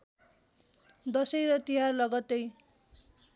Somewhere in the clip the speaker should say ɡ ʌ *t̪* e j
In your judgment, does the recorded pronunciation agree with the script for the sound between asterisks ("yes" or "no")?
yes